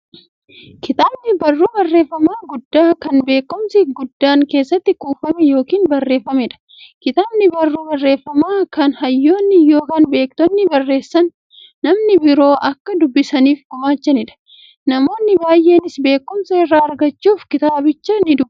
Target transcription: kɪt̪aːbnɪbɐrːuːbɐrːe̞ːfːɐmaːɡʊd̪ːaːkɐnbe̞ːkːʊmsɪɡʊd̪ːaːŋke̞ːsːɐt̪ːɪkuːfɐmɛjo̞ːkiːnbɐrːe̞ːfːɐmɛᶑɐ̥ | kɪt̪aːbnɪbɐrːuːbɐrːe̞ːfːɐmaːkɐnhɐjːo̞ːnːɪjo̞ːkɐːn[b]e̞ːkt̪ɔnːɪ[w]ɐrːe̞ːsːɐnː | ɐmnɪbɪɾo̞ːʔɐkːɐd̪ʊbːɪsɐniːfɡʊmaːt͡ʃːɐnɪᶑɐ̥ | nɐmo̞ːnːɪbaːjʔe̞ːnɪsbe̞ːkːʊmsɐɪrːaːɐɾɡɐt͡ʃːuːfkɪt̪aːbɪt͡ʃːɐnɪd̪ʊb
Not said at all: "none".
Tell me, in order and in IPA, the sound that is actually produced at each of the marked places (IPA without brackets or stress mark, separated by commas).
b, b